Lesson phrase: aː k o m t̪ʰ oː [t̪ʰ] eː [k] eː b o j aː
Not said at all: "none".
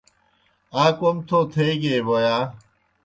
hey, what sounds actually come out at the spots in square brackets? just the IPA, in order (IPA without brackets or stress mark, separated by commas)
t̪ʰ, ɡ